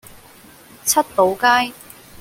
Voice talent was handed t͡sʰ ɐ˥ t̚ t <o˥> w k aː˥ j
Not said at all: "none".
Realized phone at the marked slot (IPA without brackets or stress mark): o˨˥